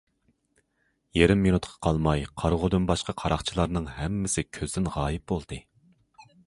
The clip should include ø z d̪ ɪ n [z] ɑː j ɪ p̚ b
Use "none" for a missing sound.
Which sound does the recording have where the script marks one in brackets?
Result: ʁ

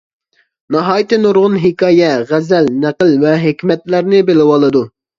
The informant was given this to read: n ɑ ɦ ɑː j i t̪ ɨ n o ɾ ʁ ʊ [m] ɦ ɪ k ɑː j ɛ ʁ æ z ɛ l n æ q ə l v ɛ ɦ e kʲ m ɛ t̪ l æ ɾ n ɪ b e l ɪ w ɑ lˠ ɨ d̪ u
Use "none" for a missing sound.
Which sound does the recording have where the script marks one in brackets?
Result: n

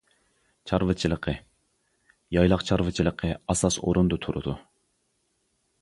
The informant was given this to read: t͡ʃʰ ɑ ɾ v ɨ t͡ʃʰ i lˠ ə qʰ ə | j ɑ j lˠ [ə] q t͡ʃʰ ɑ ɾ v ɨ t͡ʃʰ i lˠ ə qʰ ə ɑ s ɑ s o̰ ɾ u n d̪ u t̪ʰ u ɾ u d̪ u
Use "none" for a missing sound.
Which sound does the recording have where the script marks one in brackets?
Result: ɑ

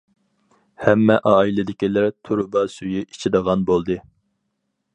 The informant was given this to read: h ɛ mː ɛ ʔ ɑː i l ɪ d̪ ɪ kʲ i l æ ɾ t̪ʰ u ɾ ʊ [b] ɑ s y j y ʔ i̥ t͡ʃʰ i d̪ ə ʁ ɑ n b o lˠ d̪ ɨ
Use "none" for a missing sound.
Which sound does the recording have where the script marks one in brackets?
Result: b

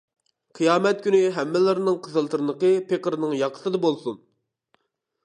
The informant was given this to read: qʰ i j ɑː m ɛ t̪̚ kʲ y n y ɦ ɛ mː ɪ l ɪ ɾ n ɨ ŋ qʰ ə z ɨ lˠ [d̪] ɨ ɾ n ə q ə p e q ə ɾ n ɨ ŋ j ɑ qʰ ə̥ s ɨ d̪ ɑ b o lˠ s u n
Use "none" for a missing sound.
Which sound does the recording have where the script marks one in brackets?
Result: t̪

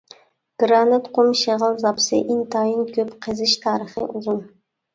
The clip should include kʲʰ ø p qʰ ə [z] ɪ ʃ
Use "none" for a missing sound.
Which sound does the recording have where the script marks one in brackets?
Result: z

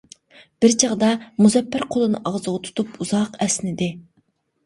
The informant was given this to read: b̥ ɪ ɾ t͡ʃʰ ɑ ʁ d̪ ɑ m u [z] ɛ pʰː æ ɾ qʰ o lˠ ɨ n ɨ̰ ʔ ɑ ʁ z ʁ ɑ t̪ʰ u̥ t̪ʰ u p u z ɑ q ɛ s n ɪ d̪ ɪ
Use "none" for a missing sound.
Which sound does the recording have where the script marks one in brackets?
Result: z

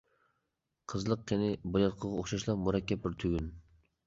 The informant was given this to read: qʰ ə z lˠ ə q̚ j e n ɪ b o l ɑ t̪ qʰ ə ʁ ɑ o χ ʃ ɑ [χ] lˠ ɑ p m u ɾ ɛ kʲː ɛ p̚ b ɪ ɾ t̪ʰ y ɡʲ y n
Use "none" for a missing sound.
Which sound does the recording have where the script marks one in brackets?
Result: ʃ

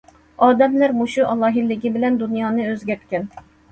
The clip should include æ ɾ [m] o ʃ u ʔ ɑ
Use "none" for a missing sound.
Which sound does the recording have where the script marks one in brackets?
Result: m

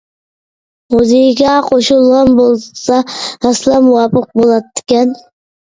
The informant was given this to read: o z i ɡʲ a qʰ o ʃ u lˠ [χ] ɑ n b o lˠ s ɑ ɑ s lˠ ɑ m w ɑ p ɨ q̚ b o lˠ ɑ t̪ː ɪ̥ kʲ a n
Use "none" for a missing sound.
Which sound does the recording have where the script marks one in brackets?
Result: ʁ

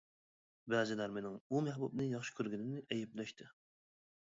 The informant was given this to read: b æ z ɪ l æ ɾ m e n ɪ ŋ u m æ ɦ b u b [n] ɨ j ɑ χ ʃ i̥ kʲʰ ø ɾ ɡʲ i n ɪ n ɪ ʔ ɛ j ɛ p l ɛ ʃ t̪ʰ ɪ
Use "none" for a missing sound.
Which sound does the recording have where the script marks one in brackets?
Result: n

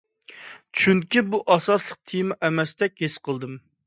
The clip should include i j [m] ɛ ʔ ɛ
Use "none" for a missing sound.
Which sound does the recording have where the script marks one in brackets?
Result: m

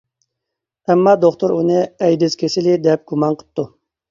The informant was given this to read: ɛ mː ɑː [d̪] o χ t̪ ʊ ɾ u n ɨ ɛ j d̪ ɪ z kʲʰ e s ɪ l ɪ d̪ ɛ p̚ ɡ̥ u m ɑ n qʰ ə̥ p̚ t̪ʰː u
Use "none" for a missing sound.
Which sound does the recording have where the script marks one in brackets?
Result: d̪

